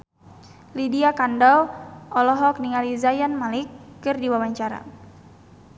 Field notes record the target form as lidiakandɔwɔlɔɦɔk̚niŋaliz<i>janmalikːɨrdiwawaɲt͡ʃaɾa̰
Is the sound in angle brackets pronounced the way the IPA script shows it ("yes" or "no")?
no